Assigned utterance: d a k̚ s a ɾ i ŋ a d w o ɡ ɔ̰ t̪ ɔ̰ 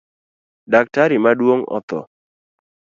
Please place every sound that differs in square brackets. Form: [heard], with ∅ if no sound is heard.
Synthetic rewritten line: d a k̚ [t] a ɾ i [m] a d w o [ŋ] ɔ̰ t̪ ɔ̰